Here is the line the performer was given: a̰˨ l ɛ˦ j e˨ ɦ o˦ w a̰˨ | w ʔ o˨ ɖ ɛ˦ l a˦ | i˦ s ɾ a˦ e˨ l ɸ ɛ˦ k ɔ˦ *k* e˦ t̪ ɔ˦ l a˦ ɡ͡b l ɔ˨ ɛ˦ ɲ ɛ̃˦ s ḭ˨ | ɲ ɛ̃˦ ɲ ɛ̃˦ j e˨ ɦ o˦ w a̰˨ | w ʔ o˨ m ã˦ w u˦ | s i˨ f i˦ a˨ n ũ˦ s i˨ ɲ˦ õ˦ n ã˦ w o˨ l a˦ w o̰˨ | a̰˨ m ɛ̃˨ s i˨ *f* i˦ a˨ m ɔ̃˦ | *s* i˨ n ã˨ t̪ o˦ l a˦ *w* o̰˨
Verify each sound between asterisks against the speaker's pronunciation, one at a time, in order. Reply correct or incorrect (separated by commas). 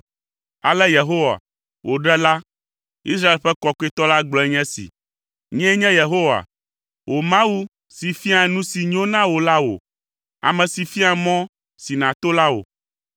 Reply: correct, correct, correct, correct